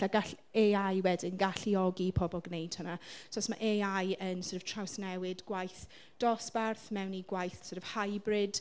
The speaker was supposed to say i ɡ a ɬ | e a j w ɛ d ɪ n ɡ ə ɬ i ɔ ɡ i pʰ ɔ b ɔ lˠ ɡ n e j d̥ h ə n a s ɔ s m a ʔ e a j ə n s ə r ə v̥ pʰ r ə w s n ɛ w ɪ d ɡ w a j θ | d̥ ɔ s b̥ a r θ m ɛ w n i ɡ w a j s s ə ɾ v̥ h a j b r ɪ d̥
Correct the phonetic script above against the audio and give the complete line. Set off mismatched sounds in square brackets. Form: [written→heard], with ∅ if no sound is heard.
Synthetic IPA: [i→a] ɡ a ɬ | e a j w ɛ d ɪ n ɡ [ə→a] ɬ i ɔ ɡ i pʰ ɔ b ɔ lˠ ɡ n e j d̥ h ə n a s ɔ s m a ʔ e a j ə n s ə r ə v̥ [pʰ→tʰ] r [ə→a] w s n ɛ w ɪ d ɡ w a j θ | d̥ ɔ s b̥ a r θ m ɛ w n i ɡ w a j [s→θ] s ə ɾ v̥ h a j b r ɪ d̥